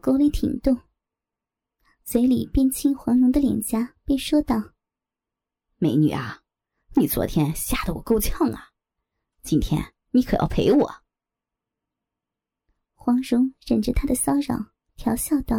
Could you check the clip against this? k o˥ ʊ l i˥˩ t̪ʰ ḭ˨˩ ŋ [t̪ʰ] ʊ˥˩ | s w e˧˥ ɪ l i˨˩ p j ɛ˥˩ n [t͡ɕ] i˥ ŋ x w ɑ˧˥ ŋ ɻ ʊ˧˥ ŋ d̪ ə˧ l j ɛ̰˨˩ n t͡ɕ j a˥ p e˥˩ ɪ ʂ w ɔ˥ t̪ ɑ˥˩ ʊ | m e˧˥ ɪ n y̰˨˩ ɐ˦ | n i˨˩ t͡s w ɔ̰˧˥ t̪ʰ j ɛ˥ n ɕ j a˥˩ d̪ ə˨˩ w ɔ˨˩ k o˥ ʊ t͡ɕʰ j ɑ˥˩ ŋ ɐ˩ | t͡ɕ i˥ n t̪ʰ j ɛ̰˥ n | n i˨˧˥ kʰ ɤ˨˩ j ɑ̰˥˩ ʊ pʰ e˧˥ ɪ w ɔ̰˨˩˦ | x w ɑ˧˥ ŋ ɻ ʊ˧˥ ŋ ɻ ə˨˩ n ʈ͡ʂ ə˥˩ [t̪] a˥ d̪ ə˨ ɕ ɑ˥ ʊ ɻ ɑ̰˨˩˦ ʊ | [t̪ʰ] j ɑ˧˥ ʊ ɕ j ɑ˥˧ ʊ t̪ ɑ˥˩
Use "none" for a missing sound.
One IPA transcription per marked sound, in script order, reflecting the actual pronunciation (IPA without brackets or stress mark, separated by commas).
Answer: t̪, t͡ɕʰ, t̪ʰ, t̪ʰ